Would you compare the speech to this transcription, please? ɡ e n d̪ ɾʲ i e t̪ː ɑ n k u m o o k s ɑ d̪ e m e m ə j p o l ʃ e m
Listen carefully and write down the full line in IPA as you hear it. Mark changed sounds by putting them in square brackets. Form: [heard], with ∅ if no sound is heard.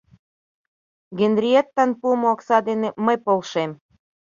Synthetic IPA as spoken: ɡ e n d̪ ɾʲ i e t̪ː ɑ n [p] u m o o k s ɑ d̪ e [n] e m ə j p o l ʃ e m